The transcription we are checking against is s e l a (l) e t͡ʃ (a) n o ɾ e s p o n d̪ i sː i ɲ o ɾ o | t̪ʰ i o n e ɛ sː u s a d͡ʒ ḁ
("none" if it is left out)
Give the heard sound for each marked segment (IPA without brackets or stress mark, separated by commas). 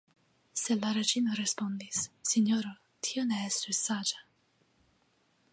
ɾ, i